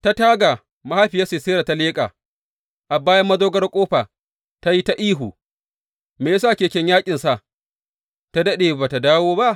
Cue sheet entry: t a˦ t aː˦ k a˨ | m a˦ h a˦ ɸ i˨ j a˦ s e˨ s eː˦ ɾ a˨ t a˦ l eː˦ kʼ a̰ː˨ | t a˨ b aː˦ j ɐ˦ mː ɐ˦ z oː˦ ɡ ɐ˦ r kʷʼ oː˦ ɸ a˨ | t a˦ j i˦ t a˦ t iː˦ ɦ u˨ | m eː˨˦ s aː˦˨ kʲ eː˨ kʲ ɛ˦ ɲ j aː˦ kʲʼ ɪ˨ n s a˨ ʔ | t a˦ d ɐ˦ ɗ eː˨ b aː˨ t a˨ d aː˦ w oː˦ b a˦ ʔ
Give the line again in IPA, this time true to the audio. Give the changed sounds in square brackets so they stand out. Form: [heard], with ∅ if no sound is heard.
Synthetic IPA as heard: t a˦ t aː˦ [ɡ] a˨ | m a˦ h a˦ ɸ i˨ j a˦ s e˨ s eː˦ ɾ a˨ t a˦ l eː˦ kʼ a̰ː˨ | [ʔ] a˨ b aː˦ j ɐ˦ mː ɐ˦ z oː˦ ɡ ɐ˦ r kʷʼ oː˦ ɸ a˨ | t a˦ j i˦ t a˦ [ʔ] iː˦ ɦ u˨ | m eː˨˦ s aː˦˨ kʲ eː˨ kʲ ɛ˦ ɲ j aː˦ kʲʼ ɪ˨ n s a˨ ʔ | t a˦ d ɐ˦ ɗ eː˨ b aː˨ t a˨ d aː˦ w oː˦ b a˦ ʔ